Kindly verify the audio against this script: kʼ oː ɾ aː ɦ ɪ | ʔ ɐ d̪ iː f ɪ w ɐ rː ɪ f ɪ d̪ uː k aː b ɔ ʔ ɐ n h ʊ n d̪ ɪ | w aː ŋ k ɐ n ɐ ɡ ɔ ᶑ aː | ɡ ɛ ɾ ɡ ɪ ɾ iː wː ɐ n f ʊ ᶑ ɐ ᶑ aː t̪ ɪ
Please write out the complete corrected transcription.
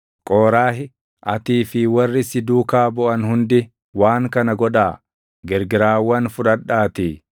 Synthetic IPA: kʼ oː ɾ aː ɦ ɪ | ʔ ɐ t̪ iː f ɪ w ɐ rː ɪ s ɪ d̪ uː k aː b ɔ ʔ ɐ n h ʊ n d̪ ɪ | w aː ŋ k ɐ n ɐ ɡ ɔ ᶑ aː | ɡ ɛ ɾ ɡ ɪ ɾ aː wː ɐ n f ʊ ᶑ ɐ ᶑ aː t̪ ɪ